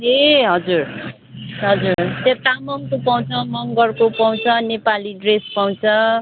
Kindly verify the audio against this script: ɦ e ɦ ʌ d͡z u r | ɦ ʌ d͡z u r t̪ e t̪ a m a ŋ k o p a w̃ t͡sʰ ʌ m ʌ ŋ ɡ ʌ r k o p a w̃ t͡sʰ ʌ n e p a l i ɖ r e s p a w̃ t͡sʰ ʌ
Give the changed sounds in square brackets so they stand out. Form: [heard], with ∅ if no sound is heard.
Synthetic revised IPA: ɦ e ɦ ʌ d͡z u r | ɦ ʌ d͡z u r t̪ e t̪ a m [ʌ] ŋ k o p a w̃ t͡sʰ ʌ m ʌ ŋ ɡ ʌ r k o p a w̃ t͡sʰ ʌ n e p a l i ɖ r e s p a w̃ t͡sʰ ʌ